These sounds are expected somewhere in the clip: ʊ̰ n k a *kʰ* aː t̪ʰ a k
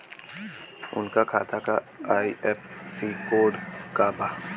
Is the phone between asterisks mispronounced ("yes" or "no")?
no